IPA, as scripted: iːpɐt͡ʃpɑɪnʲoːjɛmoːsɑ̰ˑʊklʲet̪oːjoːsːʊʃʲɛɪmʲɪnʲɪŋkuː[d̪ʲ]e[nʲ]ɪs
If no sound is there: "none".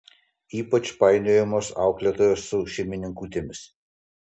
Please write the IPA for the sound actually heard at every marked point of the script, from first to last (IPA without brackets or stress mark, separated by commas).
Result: t̪ʲ, mʲ